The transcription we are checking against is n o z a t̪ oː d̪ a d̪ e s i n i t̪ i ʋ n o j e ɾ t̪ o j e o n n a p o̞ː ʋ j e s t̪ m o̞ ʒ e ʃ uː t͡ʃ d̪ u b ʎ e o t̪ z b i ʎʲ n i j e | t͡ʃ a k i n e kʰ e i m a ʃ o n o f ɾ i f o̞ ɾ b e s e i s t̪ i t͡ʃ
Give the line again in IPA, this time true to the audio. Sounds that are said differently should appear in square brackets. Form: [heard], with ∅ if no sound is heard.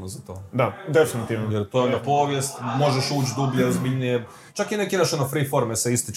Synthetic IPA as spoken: n o z a t̪ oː d̪ a d̪ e [f] i n i t̪ i ʋ n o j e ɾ t̪ o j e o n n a p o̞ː ʋ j e s t̪ m o̞ ʒ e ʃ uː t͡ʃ d̪ u b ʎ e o [∅] z b i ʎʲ n i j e | t͡ʃ a k i n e [k] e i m a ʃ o n o f ɾ i f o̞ ɾ [m] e s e i s t̪ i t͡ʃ